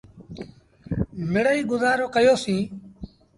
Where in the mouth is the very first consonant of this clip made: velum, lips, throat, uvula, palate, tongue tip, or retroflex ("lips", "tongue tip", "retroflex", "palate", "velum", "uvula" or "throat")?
lips